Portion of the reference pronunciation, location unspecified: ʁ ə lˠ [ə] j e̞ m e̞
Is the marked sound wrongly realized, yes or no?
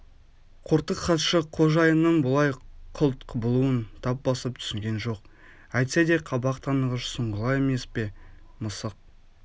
yes